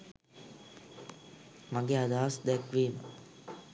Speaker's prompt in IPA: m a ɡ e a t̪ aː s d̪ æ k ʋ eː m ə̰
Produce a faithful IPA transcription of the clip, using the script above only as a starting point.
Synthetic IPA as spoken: m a ɡ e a d̪ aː s d̪ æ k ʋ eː m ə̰